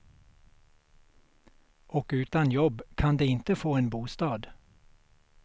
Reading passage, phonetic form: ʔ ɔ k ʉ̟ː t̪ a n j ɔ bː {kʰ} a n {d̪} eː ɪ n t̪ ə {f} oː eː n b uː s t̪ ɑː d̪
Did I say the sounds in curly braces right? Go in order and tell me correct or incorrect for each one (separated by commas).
correct, correct, correct